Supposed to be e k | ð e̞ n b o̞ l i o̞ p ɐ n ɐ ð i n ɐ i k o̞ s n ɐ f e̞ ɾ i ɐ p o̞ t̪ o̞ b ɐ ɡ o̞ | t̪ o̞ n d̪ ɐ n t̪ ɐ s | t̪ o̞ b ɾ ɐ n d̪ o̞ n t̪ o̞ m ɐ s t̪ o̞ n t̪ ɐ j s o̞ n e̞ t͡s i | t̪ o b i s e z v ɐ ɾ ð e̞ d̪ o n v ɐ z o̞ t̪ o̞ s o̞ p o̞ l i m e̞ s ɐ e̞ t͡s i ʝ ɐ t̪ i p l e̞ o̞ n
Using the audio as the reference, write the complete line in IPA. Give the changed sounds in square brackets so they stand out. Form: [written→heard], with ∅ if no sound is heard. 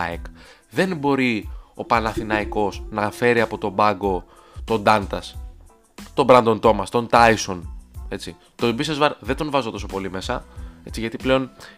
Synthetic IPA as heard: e k | ð e̞ n b o̞ [l→ɾ] i o̞ p ɐ n ɐ [ð→θ] i n ɐ i k o̞ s n ɐ f e̞ ɾ i ɐ p o̞ t̪ o̞ b ɐ ɡ o̞ | t̪ o̞ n d̪ ɐ n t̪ ɐ s | t̪ o̞ b ɾ ɐ n d̪ o̞ n t̪ o̞ m ɐ s t̪ o̞ n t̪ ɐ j s o̞ n e̞ t͡s i | t̪ o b i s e z v ɐ ɾ ð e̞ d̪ o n v ɐ z o̞ t̪ o̞ s o̞ p o̞ l i m e̞ s ɐ e̞ t͡s i ʝ ɐ t̪ i p l e̞ o̞ n